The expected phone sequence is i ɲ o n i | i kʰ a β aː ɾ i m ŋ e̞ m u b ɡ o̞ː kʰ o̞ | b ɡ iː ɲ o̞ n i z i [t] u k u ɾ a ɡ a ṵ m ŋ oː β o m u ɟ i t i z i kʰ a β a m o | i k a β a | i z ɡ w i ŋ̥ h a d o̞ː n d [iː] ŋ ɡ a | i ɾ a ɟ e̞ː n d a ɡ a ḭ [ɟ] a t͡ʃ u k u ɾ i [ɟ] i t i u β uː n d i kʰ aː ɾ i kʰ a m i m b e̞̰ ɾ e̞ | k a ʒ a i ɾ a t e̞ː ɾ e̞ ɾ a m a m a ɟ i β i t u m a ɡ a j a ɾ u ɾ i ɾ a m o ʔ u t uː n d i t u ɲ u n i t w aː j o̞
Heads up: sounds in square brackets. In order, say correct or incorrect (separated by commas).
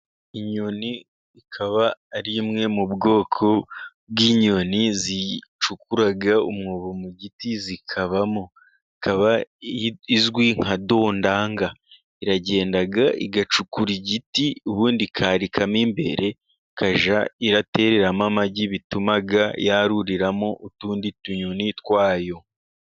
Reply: incorrect, incorrect, incorrect, correct